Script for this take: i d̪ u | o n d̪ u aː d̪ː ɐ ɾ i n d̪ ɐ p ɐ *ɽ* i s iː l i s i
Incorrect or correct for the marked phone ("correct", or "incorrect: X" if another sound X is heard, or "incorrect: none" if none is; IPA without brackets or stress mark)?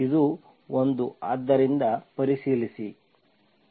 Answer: incorrect: ɾ